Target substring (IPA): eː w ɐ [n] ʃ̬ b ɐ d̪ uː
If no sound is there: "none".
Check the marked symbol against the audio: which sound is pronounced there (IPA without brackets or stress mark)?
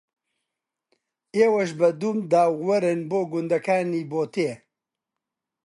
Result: none